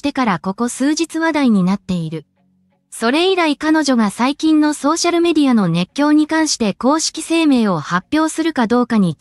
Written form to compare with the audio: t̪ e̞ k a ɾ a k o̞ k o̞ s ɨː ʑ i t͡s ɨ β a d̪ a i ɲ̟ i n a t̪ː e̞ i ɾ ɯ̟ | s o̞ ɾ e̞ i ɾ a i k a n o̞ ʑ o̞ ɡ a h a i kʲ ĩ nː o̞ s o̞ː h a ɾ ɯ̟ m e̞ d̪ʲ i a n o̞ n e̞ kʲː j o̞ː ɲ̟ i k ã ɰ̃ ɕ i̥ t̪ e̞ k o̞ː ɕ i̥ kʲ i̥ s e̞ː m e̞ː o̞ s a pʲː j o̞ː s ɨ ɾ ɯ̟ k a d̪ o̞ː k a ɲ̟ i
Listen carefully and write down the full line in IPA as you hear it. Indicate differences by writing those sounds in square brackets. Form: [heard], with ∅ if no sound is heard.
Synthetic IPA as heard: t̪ e̞ k a ɾ a k o̞ k o̞ s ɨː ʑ i t͡s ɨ β a d̪ a i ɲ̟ i n a t̪ː e̞ i ɾ ɯ̟ | s o̞ ɾ e̞ i ɾ a i k a n o̞ ʑ o̞ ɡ a [s] a i kʲ ĩ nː o̞ s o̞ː [ɕ] a ɾ ɯ̟ m e̞ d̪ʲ i a n o̞ n e̞ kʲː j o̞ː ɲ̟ i k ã ɰ̃ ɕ i̥ t̪ e̞ k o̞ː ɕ i̥ kʲ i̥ s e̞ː m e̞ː o̞ [h] a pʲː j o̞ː s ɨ ɾ ɯ̟ k a d̪ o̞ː k a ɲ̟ i